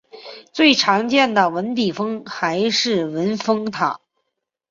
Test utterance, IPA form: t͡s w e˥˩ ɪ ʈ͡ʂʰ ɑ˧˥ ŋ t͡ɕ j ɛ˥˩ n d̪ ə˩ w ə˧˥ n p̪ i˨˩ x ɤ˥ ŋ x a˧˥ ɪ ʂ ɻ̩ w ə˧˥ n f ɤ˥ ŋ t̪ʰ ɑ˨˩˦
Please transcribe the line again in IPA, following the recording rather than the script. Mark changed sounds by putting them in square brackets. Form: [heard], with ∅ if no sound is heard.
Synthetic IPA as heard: t͡s w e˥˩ ɪ ʈ͡ʂʰ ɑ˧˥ ŋ t͡ɕ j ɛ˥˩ n d̪ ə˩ w ə˧˥ n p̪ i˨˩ [f] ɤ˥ ŋ x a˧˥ ɪ ʂ ɻ̩ w ə˧˥ n f ɤ˥ ŋ t̪ʰ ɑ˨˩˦